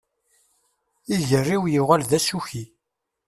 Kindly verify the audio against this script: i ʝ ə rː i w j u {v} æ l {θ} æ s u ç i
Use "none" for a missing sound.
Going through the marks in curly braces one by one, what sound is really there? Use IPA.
ʁ, ð

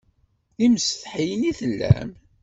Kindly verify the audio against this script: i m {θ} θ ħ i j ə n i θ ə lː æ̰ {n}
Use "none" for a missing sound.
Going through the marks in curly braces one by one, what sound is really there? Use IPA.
s, m

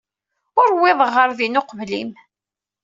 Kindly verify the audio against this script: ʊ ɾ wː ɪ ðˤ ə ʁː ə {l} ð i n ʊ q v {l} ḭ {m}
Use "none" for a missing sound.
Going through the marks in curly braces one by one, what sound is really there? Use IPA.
ɾ, l, m

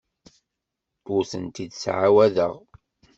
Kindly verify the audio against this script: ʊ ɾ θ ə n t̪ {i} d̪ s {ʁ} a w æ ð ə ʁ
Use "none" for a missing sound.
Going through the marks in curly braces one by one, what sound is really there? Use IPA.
i, ʕ

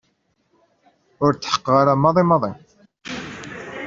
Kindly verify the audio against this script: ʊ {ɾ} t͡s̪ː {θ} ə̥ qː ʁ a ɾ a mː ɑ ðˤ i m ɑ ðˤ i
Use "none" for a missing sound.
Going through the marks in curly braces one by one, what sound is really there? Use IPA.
ɾ, ħ

